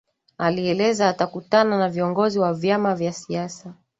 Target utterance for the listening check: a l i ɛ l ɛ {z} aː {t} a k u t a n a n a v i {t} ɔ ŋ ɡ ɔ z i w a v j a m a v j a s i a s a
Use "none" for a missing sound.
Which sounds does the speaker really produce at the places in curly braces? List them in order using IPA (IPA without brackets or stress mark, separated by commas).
z, t, none